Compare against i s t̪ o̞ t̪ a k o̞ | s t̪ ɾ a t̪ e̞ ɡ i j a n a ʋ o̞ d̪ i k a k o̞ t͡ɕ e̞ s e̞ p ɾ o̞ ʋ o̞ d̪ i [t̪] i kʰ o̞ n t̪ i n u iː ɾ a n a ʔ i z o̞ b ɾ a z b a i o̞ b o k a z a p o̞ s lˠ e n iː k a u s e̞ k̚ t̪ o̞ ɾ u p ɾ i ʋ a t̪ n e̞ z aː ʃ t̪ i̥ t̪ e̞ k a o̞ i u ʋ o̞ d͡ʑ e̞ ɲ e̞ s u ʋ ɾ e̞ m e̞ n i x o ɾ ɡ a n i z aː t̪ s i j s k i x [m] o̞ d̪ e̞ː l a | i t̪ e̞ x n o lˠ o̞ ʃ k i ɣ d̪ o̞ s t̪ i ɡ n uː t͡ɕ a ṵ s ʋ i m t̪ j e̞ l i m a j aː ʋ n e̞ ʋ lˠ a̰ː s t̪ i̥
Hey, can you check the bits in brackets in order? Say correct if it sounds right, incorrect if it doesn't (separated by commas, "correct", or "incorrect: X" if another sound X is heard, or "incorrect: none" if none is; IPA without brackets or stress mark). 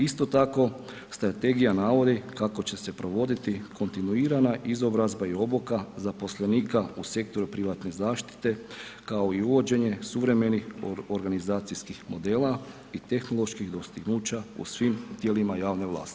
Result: correct, correct